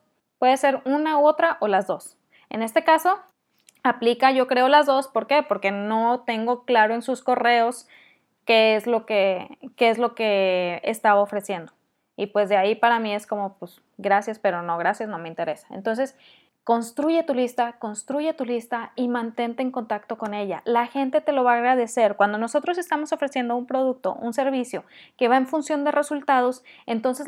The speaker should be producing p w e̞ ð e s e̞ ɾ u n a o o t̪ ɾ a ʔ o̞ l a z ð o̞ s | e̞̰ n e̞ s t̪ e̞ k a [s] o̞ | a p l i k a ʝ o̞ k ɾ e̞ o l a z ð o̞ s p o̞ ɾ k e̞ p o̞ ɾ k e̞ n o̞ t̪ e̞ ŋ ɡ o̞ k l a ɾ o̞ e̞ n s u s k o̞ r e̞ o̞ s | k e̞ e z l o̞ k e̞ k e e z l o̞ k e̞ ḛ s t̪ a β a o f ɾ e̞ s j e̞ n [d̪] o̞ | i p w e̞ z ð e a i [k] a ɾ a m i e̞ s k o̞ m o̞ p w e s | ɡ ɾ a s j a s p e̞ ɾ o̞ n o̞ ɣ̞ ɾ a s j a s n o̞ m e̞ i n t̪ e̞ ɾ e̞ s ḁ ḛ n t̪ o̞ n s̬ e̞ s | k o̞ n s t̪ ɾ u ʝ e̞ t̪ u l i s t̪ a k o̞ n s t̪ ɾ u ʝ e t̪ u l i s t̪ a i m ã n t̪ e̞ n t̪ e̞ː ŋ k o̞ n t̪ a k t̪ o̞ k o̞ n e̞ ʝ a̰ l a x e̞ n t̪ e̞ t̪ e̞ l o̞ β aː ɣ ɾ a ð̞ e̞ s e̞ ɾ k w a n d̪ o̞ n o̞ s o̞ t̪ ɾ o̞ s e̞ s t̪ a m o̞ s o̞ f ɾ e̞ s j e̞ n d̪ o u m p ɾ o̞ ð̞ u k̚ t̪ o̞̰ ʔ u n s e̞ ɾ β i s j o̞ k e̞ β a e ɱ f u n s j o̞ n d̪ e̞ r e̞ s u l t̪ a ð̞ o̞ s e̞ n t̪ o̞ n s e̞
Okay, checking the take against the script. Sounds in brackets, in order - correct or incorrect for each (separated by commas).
correct, correct, incorrect